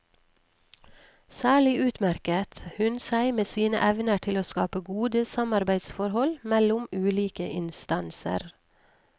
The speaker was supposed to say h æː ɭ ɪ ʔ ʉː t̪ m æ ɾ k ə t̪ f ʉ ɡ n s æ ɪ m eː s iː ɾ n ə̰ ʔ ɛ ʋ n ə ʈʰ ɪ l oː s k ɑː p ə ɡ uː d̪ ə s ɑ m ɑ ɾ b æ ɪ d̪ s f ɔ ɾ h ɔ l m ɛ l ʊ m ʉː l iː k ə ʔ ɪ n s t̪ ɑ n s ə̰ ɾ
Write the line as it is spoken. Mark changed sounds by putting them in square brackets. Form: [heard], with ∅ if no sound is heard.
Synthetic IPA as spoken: [s] æː ɭ ɪ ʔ ʉː t̪ m æ ɾ k ə t̪ [h] ʉ [∅] n s æ ɪ m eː s iː [∅] n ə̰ ʔ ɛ ʋ n ə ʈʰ ɪ l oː s k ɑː p ə ɡ uː d̪ ə s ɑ m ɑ ɾ b æ ɪ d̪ s f ɔ ɾ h ɔ l m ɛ l ʊ m ʉː l iː k ə ʔ ɪ n s t̪ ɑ n s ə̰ ɾ